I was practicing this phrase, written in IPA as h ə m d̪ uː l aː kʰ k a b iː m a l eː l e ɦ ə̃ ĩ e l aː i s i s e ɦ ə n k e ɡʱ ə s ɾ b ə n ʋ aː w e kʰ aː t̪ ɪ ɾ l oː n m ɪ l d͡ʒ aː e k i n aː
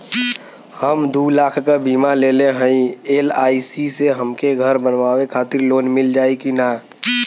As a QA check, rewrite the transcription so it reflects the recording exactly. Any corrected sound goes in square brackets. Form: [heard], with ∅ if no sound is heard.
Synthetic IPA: h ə m d̪ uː l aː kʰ k a b iː m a l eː l e ɦ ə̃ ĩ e l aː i s i s e ɦ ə [m] k e ɡʱ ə [∅] ɾ b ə n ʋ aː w e kʰ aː t̪ ɪ ɾ l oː n m ɪ l d͡ʒ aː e k i n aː